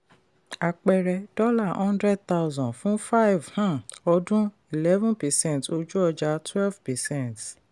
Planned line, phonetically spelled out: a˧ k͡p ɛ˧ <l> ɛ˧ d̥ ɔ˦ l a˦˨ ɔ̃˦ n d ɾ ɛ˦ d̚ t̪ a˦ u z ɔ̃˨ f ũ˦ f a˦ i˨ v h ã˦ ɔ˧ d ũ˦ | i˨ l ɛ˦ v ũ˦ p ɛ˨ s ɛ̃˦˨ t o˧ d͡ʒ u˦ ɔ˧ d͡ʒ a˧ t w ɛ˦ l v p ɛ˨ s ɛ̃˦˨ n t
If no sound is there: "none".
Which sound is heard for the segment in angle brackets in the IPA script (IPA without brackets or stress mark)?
ɾ